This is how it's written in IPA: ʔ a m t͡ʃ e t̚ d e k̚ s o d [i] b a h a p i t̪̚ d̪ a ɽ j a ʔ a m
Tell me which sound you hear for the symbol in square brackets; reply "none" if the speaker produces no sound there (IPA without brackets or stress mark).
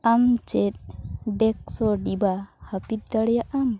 i